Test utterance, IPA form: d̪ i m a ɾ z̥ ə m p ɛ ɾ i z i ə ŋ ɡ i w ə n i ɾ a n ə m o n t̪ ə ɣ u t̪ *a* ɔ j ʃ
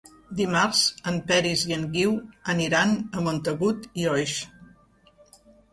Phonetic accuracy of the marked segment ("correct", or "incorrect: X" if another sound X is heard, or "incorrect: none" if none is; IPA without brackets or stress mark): incorrect: i